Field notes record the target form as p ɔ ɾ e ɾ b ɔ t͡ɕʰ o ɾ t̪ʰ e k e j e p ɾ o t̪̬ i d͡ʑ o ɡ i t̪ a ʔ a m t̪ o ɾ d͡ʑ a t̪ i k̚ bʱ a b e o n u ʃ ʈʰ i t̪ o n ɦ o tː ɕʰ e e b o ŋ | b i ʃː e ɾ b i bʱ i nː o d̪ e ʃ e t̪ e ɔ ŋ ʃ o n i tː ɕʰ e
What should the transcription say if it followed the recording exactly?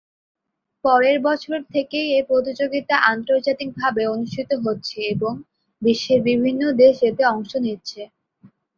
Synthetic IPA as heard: p ɔ ɾ e ɾ b ɔ t͡ɕʰ o ɾ t̪ʰ e k e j e p ɾ o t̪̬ i d͡ʑ o ɡ i t̪ a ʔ a n t̪ o ɾ d͡ʑ a t̪ i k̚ bʱ a b e o n u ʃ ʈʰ i t̪ o ɦ o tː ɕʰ e e b o ŋ | b i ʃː e ɾ b i bʱ i nː o d̪ e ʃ e t̪ e ɔ ŋ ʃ o n i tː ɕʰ e